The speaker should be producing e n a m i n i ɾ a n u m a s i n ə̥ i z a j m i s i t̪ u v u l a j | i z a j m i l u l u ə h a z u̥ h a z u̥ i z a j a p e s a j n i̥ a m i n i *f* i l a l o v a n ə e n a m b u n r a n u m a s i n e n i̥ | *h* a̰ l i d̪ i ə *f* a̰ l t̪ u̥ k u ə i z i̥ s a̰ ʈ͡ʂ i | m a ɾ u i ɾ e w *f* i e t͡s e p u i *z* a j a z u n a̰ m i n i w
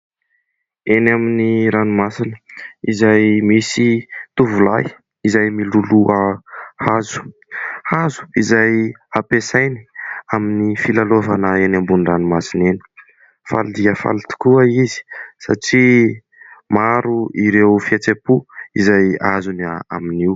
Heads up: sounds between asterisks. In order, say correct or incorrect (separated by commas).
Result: correct, incorrect, correct, correct, correct